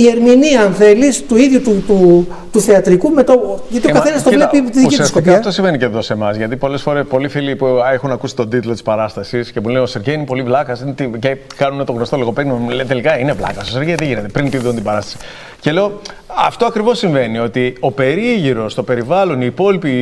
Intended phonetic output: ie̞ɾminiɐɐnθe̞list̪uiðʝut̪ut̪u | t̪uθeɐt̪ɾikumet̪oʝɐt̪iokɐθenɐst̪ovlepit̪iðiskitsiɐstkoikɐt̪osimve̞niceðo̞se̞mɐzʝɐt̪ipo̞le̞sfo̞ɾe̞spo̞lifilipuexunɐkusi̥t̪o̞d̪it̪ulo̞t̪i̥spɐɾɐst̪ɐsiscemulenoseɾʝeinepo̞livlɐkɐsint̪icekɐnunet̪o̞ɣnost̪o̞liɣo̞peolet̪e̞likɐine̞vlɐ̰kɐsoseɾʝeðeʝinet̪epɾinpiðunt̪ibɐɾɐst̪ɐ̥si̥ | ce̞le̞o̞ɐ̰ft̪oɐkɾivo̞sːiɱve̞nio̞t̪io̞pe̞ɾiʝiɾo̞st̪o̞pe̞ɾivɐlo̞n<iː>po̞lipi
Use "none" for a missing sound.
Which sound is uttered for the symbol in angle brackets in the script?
iː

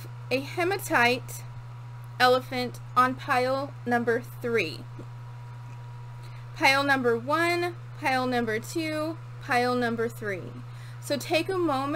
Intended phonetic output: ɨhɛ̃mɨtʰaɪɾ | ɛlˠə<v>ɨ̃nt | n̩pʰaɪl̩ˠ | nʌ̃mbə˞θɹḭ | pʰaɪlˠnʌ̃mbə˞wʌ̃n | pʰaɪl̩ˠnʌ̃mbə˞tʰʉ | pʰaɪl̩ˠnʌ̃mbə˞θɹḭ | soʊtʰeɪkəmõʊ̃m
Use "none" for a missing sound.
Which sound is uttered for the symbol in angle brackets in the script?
f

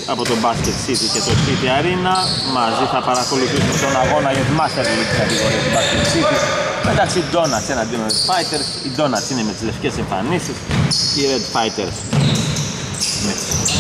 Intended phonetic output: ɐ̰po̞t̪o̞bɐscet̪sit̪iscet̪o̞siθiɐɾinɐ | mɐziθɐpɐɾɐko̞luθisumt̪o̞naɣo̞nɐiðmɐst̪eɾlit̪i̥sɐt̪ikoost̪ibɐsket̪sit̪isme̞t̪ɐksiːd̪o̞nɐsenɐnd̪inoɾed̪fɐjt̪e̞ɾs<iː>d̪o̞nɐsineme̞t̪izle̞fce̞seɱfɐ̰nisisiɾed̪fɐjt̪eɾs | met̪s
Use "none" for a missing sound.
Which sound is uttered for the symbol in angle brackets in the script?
i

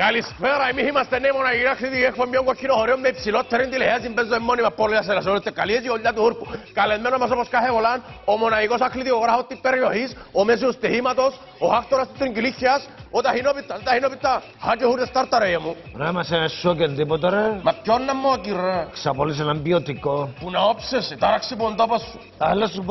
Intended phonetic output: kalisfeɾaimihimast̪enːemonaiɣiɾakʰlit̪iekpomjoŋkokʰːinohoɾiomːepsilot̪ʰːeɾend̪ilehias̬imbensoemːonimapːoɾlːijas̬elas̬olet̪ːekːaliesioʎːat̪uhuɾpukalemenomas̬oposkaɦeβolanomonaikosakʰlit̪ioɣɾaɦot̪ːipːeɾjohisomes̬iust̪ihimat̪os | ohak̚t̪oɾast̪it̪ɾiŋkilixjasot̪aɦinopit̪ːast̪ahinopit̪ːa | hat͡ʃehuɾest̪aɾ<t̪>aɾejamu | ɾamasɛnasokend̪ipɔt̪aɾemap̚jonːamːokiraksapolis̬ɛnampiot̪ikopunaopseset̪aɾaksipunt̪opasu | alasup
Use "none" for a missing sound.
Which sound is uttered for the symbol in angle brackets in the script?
t̪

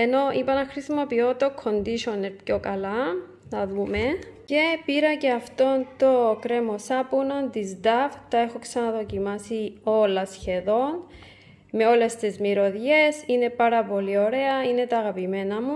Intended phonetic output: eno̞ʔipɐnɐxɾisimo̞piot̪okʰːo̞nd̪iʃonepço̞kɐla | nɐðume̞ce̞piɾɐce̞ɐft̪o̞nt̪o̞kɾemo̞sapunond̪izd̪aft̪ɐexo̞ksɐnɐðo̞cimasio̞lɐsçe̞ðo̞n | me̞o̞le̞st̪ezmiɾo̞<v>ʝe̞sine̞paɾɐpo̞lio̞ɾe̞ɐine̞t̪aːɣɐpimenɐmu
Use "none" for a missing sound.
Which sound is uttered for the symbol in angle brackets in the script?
ð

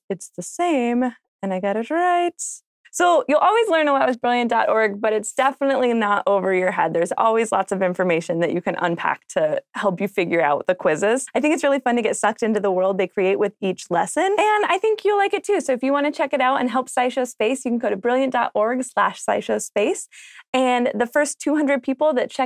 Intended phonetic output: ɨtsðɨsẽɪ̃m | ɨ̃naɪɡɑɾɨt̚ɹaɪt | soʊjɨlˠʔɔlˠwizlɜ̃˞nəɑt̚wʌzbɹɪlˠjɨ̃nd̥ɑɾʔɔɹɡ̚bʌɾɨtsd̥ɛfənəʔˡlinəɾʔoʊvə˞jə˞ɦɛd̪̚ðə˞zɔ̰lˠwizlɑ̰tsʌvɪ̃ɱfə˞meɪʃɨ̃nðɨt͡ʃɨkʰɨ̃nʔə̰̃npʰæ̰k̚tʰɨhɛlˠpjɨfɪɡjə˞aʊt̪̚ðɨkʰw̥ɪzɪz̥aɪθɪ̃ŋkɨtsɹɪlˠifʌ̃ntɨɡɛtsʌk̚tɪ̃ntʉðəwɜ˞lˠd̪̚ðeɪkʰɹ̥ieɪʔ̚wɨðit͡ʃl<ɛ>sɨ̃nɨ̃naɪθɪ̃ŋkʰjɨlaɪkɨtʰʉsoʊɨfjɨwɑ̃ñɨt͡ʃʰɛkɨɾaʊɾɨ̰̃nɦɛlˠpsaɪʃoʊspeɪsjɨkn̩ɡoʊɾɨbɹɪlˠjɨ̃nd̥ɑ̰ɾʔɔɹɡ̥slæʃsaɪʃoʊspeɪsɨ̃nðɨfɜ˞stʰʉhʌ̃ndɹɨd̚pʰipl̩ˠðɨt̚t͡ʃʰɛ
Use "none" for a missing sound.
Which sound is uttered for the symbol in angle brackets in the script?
ɛ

